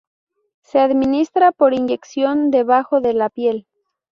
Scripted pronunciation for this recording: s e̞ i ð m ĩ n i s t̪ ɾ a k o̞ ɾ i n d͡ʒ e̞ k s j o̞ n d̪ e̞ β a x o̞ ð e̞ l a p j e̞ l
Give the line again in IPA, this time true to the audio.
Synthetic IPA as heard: s e̞ a ð m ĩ n i s t̪ ɾ a p o̞ ɾ i n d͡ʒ e̞ k s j o̞ n d̪ e̞ β a x o̞ ð e̞ l a p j e̞ l